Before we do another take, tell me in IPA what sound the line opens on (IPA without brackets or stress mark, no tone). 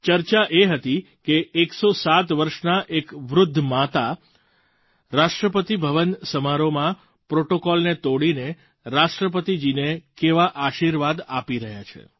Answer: t͡ʃ